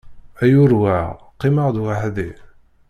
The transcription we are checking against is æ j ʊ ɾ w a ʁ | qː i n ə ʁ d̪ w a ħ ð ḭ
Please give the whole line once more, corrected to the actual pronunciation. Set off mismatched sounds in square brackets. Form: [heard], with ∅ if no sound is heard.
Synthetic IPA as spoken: æ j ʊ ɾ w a ʁ | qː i [m] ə ʁ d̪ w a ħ ð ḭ